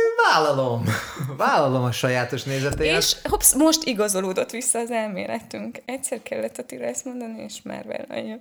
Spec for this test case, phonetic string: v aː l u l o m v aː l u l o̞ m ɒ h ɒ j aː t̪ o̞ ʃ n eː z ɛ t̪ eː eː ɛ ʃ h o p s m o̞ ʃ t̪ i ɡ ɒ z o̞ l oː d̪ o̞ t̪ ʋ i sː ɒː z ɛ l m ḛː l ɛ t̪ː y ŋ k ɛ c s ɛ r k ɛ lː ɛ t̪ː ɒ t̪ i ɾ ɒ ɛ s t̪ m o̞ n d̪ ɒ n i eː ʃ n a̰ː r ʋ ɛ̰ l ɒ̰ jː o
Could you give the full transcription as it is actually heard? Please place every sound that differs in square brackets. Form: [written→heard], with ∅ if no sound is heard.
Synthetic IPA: v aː l [u→ɒ] l o m v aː l [u→ɒ] l o̞ m ɒ [h→ʃ] ɒ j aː t̪ o̞ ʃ n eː z ɛ t̪ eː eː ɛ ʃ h o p s m o̞ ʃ t̪ i ɡ ɒ z o̞ l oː d̪ o̞ t̪ ʋ i sː ɒː z ɛ l m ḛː l ɛ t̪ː y ŋ k ɛ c s ɛ r k ɛ lː ɛ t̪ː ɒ t̪ i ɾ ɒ ɛ s t̪ m o̞ n d̪ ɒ n i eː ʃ [n→m] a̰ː r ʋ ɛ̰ l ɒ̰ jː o